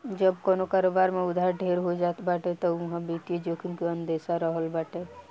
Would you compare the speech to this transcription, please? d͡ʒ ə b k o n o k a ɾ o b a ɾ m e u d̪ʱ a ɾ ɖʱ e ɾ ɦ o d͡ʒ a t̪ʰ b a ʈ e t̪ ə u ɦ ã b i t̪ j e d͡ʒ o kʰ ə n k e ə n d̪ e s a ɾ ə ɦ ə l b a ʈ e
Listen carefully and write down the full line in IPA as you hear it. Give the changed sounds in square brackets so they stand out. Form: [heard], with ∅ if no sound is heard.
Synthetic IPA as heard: d͡ʒ ə b k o n o k a ɾ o b a ɾ m e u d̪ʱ a ɾ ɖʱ e ɾ ɦ o d͡ʒ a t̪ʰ b a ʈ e t̪ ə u ɦ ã b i t̪ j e d͡ʒ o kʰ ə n k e ə n d̪ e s a ɾ ə ɦ ə l b a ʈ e